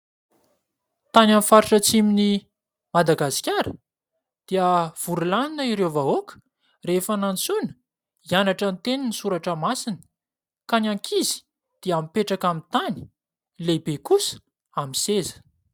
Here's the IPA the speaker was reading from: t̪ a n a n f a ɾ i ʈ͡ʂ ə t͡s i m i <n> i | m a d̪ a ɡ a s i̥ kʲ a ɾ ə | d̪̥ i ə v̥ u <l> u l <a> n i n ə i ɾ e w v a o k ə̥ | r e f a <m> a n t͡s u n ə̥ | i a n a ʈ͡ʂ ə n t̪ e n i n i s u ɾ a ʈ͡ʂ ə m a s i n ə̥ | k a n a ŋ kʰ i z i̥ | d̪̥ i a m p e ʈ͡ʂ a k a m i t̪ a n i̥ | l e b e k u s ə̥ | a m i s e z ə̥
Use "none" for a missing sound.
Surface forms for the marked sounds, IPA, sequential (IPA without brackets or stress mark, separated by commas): n, ɾ, a, n